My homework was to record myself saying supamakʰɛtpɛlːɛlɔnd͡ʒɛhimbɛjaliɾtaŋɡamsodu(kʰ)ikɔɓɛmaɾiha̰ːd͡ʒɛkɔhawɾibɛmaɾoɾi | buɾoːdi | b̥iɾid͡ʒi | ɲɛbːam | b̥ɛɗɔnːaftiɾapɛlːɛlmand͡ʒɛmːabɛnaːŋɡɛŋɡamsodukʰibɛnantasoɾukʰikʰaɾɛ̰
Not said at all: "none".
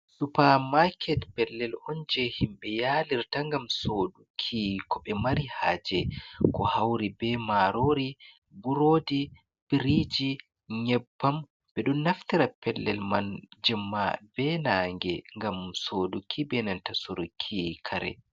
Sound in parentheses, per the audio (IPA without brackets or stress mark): kʰ